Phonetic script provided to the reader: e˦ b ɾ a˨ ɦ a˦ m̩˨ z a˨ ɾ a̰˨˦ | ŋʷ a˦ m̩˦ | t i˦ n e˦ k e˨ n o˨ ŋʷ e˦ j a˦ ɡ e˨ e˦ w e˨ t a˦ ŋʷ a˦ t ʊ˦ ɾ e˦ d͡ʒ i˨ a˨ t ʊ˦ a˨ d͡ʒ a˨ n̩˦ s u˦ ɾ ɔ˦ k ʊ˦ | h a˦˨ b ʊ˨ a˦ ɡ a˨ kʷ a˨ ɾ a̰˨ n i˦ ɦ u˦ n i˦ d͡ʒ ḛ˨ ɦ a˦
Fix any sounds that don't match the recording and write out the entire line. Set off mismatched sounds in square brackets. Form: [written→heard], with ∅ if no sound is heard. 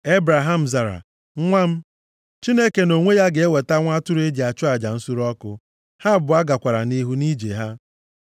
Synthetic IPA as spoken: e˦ b ɾ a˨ ɦ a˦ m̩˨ z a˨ ɾ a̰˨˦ | ŋʷ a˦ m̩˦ | [t→t͡ʃ] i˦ n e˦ k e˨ n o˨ ŋʷ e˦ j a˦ ɡ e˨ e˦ w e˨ t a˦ ŋʷ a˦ t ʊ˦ ɾ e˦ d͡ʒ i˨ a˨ [t→t͡ʃ] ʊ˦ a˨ d͡ʒ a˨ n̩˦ s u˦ ɾ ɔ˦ k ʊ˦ | h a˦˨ b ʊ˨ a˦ ɡ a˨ kʷ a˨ ɾ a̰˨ n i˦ ɦ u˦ n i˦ d͡ʒ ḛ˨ ɦ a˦